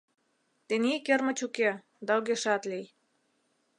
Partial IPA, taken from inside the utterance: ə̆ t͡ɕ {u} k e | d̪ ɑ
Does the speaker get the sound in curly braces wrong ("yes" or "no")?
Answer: no